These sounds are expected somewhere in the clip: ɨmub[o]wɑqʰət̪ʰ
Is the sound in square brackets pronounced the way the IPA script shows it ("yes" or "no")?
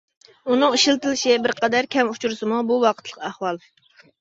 no